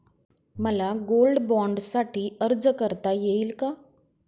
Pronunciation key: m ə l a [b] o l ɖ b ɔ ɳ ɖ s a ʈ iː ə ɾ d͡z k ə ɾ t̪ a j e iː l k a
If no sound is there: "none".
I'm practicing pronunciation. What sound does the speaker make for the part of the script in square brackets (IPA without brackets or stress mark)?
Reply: ɡ